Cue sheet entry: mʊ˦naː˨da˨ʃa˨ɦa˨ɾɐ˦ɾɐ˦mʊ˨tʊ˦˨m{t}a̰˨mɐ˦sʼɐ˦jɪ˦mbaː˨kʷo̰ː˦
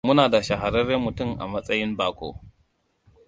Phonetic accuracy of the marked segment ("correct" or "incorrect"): incorrect